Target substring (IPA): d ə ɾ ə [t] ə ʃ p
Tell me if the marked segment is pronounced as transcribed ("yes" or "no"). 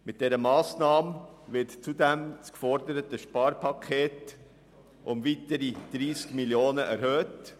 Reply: yes